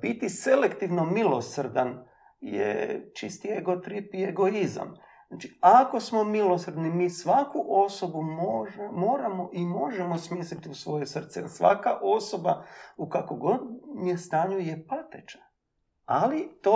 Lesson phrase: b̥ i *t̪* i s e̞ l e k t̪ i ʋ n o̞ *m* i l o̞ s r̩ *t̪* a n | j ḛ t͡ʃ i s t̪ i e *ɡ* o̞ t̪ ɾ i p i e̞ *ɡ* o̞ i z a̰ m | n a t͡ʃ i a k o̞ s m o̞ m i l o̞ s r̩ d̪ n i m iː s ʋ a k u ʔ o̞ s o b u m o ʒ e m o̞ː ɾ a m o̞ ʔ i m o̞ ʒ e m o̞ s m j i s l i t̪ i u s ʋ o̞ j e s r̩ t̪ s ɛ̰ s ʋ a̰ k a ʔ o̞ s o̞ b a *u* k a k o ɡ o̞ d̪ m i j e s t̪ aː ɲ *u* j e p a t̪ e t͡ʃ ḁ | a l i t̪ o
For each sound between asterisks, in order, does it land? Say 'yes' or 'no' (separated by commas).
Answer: yes, yes, no, yes, yes, yes, yes